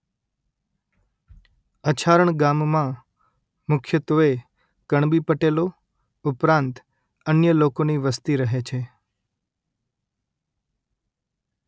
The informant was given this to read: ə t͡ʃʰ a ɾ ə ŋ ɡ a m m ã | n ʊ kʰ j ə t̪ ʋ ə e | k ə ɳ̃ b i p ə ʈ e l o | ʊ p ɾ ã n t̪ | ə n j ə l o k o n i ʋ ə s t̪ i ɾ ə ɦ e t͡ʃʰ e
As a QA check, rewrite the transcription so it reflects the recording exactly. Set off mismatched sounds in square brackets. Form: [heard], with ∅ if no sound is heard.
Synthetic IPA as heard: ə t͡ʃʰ a ɾ ə [ɳ] ɡ a m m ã | [m] ʊ kʰ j ə t̪ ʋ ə e | k ə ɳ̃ b i p ə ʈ e l o | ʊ p ɾ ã n t̪ | ə n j ə l o k o n i ʋ ə s t̪ i ɾ ə ɦ e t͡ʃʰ e